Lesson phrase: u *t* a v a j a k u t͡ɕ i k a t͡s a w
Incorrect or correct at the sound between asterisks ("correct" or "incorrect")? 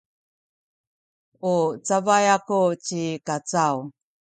incorrect